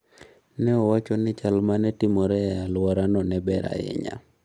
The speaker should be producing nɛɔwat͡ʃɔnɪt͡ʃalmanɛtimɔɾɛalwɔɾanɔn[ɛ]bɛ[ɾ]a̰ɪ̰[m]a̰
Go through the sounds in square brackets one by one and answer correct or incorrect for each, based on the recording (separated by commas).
correct, correct, incorrect